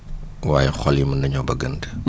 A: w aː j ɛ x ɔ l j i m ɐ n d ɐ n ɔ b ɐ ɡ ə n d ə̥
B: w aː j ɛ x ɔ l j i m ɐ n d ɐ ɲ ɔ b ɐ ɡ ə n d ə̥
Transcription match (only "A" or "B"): B